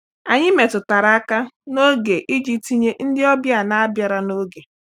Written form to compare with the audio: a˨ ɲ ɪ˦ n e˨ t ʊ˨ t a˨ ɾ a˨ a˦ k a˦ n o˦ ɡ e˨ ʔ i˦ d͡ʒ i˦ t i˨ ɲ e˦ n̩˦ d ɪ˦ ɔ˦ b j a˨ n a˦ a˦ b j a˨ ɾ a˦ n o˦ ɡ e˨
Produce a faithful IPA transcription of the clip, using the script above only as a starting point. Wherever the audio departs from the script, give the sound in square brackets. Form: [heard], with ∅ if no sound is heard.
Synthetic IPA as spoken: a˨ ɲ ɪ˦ [m] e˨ t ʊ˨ t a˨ ɾ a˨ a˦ k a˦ n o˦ ɡ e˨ ʔ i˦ d͡ʒ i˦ t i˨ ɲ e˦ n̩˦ d ɪ˦ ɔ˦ b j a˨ n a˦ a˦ b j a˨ ɾ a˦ n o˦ ɡ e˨

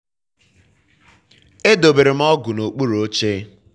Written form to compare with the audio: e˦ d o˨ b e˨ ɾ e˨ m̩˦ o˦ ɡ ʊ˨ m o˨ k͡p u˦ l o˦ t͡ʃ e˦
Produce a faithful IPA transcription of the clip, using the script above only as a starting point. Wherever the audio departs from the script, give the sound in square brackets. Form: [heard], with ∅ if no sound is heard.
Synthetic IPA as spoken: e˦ d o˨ b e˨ ɾ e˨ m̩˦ [ɔ˦] ɡ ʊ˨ [n] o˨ k͡p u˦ [ɾ] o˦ t͡ʃ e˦

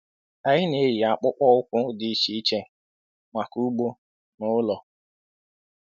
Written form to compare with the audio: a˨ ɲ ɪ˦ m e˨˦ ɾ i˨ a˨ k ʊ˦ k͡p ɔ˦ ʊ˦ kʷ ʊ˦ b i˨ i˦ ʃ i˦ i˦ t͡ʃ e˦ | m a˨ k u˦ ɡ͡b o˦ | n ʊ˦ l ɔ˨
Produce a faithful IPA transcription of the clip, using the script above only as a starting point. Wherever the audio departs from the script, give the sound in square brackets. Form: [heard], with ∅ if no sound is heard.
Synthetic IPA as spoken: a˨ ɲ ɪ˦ [n] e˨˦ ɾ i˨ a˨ [k͡p] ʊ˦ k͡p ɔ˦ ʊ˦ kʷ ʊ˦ [d] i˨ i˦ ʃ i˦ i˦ t͡ʃ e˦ | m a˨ k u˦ ɡ͡b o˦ | n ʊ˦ l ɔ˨

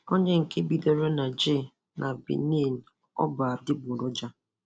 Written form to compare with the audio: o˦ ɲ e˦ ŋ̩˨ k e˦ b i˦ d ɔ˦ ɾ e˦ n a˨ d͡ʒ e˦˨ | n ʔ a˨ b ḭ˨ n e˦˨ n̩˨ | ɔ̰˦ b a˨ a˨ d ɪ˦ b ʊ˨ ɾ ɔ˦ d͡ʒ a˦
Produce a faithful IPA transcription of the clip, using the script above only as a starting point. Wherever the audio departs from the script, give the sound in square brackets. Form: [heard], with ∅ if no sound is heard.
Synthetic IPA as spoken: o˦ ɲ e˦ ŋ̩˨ k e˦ b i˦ d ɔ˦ ɾ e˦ n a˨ d͡ʒ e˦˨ | n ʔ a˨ b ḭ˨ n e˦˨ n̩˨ | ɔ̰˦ b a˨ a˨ d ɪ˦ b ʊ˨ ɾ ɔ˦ d͡ʒ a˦

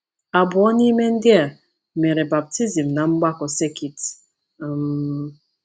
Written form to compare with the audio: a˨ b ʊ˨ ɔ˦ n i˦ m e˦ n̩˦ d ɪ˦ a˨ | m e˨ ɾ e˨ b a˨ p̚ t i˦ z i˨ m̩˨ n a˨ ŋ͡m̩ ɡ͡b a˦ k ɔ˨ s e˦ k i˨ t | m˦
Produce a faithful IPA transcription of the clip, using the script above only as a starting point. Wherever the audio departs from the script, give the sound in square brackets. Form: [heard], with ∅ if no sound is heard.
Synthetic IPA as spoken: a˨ b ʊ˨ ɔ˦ n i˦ m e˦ n̩˦ d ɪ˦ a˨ | m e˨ ɾ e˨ b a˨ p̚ t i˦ z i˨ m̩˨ n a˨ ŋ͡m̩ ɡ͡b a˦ k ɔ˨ s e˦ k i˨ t | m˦

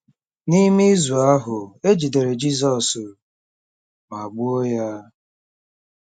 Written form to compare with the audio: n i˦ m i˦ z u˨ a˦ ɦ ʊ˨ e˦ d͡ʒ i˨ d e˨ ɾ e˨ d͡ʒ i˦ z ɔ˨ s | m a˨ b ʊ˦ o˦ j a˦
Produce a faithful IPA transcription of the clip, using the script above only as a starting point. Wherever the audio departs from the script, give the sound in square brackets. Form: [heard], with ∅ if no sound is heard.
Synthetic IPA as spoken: n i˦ m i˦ z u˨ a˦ ɦ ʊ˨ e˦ d͡ʒ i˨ d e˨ ɾ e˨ d͡ʒ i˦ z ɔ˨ s | m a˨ [ɡ͡b] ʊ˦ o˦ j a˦

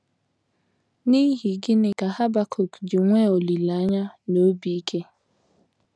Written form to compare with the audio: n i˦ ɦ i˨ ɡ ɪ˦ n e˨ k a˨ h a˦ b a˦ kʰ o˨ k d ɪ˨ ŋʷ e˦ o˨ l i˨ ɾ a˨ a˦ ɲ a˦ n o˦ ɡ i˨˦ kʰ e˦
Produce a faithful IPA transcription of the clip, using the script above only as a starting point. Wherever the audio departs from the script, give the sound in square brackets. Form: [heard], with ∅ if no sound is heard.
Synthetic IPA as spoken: n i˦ ɦ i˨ ɡ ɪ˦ n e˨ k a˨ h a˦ b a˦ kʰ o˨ k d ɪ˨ ŋʷ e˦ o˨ l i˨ [l] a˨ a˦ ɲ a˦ n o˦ [b] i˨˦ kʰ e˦

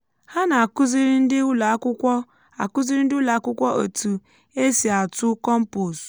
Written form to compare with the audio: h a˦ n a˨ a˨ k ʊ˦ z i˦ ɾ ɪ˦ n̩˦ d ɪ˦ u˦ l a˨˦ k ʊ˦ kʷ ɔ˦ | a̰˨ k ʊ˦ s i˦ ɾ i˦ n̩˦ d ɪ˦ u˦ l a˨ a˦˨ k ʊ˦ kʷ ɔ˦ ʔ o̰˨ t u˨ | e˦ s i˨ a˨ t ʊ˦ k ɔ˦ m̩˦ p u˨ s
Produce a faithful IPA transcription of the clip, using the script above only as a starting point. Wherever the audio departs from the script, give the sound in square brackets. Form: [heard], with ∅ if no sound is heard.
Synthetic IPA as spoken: h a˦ n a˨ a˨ k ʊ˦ z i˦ ɾ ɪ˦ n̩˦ d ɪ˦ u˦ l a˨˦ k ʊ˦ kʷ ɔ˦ | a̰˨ k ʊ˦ [z] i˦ ɾ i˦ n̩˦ d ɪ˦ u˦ l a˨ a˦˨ k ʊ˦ kʷ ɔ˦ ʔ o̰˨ t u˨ | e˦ s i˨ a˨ t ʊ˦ k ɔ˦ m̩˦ p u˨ s

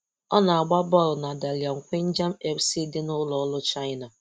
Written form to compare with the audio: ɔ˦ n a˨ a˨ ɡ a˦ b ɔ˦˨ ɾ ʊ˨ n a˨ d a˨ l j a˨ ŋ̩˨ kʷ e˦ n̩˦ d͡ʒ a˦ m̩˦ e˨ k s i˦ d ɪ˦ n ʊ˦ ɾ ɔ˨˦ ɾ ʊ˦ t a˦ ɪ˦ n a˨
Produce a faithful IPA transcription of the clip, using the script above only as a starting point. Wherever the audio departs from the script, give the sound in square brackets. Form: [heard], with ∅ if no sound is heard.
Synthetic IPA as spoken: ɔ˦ n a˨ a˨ [ɡ͡b] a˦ b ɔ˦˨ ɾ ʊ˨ n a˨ d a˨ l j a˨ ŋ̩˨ kʷ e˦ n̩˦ d͡ʒ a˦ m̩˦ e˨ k s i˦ d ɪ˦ n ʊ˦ [l] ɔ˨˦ [l] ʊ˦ [t͡ʃ] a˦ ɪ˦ n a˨

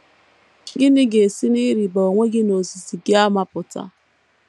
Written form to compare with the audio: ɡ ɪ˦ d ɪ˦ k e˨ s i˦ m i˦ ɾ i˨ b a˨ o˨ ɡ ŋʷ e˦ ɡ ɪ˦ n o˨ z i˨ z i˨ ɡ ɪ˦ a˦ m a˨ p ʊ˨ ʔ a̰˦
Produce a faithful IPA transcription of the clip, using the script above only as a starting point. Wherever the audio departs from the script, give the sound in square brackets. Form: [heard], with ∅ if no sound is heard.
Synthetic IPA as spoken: ɡ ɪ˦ [n] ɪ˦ [ɡ] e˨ s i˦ [n] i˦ ɾ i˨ b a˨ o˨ [∅] ŋʷ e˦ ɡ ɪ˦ n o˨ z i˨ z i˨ ɡ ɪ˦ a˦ m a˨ p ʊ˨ [t] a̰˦

